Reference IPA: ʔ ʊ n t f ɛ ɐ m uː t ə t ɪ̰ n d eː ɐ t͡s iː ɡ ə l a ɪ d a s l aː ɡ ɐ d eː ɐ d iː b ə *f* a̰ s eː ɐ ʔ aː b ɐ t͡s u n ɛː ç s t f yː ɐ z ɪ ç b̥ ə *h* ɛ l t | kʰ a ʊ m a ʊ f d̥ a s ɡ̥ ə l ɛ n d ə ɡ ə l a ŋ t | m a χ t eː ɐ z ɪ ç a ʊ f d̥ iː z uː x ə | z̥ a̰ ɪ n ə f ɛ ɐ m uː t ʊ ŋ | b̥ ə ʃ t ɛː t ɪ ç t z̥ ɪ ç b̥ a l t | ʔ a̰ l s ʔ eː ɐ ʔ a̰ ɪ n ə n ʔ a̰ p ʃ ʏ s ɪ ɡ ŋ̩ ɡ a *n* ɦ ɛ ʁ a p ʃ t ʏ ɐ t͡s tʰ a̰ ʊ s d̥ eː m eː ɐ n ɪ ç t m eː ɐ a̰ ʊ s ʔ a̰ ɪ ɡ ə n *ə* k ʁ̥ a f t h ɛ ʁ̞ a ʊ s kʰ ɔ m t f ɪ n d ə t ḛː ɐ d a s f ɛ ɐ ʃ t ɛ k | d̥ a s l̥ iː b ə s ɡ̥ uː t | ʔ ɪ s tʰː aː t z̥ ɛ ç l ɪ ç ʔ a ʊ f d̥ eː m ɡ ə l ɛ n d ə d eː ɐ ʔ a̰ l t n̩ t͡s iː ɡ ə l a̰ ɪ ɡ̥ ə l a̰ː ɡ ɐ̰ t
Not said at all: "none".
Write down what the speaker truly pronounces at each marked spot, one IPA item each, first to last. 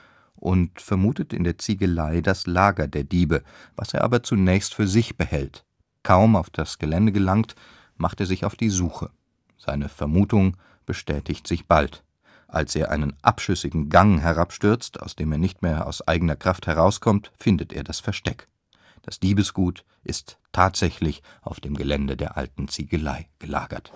v, h, ŋ, ɐ

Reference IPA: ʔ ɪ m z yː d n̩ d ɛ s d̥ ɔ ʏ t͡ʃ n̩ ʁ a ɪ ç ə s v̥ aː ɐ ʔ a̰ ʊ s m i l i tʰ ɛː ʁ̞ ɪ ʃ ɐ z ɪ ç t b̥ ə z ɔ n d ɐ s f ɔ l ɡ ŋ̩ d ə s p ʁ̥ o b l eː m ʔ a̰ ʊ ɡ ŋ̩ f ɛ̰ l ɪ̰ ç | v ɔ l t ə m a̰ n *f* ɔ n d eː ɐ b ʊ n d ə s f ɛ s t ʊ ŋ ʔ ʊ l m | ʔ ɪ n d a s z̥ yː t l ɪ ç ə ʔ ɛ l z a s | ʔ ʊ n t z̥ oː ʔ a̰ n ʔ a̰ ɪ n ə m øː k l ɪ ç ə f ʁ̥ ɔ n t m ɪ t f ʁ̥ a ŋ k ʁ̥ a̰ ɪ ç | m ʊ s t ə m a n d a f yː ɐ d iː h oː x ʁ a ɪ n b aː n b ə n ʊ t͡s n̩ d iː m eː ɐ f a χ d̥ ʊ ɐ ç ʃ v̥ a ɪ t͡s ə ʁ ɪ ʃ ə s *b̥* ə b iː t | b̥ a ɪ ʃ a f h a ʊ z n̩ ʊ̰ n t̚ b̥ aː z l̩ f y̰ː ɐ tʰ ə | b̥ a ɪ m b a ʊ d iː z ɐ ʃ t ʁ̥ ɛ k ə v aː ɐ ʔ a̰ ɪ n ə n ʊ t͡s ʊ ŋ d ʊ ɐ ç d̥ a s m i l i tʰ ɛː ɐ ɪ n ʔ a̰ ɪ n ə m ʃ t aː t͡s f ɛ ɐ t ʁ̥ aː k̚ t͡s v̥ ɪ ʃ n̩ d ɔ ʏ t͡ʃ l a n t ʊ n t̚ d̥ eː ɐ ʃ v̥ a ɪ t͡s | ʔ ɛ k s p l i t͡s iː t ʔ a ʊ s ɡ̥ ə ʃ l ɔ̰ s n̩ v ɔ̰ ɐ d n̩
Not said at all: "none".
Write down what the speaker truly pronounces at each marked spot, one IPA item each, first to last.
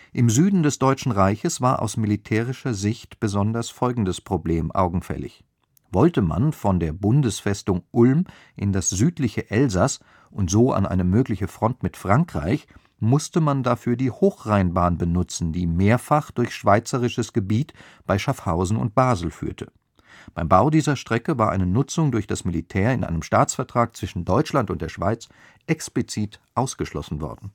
f, ɡ̥

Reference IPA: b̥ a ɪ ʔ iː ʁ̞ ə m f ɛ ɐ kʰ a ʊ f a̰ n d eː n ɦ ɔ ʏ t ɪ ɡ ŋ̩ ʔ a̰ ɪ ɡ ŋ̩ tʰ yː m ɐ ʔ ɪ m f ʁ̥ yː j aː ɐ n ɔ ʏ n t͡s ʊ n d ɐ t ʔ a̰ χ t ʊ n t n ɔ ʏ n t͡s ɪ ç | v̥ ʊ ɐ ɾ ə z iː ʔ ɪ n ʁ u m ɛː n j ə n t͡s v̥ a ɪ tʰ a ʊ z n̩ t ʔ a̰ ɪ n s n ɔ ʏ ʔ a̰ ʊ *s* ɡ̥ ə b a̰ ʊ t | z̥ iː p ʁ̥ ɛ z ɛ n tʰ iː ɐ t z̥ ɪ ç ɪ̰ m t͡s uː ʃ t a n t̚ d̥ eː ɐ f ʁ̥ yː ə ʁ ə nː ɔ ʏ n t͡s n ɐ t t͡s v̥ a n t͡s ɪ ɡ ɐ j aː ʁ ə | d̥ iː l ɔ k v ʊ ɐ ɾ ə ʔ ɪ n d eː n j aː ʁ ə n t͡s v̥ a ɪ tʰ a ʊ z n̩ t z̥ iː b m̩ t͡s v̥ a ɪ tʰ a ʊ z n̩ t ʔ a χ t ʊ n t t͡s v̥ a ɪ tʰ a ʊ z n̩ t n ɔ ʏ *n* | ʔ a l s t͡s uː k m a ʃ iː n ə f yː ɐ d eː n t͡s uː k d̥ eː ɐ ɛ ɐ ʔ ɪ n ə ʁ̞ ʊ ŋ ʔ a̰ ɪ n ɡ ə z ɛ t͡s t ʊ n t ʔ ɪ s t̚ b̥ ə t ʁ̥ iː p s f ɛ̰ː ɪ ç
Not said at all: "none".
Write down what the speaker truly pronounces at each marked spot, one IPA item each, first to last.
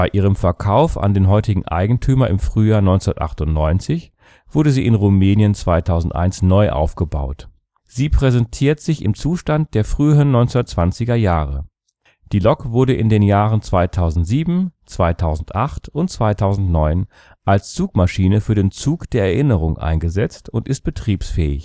f, n

